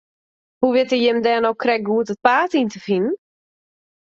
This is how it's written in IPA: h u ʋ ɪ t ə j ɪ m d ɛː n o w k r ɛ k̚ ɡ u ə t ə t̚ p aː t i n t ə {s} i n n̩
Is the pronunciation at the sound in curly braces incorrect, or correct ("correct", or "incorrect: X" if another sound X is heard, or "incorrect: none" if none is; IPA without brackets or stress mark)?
incorrect: f